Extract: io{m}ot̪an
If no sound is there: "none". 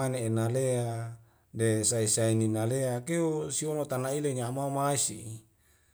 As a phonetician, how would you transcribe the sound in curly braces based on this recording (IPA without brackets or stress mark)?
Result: n